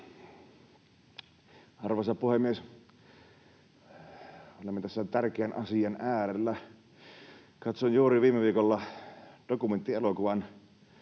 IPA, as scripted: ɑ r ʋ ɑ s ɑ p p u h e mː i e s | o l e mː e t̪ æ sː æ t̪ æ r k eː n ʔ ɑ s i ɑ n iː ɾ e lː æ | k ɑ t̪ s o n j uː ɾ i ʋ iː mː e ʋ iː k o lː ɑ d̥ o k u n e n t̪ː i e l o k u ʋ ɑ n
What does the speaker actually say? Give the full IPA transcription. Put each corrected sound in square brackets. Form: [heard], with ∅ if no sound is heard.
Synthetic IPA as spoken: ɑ r ʋ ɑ s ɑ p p u h e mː i e s | o l e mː e t̪ æ sː æ t̪ æ r k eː n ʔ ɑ s i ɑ n [æː] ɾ e lː æ | k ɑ t̪ s o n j uː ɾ i ʋ iː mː e ʋ iː k o lː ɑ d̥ o k u [m] e n t̪ː i e l o k u ʋ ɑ n